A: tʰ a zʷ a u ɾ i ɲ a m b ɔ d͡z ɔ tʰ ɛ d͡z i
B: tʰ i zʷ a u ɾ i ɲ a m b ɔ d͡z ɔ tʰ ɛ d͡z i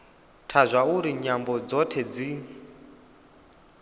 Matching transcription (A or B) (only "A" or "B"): A